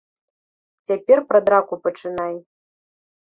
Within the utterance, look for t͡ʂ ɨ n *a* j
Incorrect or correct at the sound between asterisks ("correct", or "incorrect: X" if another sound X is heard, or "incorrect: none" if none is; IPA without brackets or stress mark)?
correct